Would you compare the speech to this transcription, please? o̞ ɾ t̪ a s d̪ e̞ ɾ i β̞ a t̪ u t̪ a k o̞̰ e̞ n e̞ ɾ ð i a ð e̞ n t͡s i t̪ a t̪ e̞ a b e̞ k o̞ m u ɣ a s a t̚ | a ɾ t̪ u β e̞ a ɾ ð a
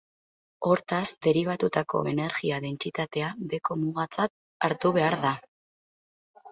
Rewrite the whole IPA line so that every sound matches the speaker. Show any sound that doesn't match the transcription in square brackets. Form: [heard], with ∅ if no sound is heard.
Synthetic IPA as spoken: o̞ ɾ t̪ a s d̪ e̞ ɾ i β̞ a t̪ u t̪ a k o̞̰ e̞ n e̞ ɾ [ɣ] i a ð e̞ n t͡s i t̪ a t̪ e̞ a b e̞ k o̞ m u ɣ a [t͡s] a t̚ | a ɾ t̪ u β e̞ a ɾ ð a